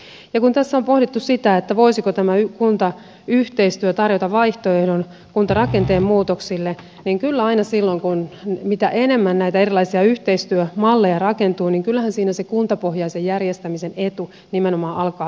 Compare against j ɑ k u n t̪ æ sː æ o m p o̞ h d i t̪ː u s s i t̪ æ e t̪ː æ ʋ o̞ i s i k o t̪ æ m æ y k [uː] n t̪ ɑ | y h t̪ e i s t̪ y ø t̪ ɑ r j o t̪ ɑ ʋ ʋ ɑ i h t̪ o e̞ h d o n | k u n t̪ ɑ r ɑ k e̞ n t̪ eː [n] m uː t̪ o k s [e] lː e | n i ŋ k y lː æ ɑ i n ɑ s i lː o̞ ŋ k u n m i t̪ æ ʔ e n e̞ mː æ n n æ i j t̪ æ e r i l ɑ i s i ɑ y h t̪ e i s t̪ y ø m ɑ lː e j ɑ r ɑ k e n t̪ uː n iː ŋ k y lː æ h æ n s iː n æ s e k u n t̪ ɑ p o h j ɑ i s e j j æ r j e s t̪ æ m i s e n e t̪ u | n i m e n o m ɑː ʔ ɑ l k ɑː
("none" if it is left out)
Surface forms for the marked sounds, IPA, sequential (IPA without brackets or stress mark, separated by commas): u, m, i